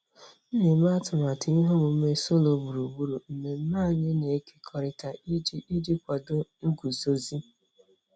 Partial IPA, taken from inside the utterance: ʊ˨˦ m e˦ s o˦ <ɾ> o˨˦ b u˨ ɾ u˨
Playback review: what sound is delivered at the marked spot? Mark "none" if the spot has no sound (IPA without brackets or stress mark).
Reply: l